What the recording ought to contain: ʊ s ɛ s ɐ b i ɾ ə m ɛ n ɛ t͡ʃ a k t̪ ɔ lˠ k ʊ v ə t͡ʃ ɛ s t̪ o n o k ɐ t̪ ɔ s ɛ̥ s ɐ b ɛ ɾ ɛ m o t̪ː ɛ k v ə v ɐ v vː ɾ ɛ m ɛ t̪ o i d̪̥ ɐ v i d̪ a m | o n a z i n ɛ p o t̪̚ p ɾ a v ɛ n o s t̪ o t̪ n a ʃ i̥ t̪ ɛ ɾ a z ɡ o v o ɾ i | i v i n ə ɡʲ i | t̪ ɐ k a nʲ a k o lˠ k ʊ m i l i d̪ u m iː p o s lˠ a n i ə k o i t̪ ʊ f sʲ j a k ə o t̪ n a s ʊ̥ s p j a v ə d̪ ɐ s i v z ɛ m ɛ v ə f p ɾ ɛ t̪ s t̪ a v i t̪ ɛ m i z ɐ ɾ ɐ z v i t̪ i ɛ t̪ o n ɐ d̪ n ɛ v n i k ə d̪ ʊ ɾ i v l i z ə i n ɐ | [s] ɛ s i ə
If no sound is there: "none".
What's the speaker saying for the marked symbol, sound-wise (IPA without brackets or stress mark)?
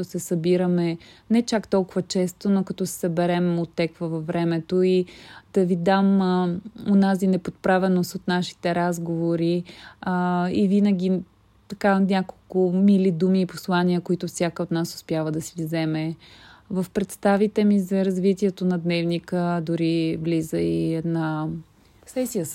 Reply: s